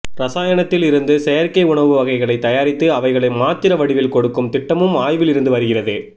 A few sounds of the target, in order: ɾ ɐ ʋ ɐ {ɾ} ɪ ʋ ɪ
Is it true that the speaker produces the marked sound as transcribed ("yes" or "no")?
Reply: no